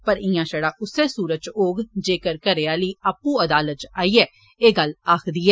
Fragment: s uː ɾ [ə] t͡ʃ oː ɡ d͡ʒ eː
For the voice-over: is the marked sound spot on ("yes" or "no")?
yes